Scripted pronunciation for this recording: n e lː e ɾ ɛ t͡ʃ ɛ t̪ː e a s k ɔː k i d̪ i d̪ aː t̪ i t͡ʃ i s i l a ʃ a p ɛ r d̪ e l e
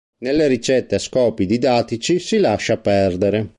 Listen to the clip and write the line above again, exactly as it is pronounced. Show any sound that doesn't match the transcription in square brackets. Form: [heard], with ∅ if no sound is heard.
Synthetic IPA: n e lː e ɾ [i] t͡ʃ ɛ t̪ː e a s k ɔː [p] i d̪ i d̪ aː t̪ i t͡ʃ i s i l a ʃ a p ɛ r d̪ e [ɾ] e